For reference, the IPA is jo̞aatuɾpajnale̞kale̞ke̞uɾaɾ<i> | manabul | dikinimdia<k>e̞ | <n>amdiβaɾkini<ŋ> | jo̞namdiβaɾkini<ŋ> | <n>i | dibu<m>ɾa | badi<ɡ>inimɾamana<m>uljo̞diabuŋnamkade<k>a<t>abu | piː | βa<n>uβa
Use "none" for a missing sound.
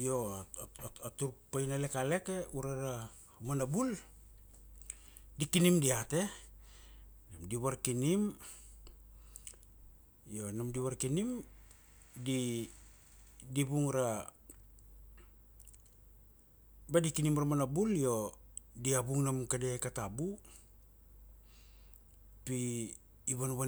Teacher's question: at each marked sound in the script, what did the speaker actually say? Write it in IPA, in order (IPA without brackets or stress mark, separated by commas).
a, t, n, m, m, d, ŋ, k, b, k, t, n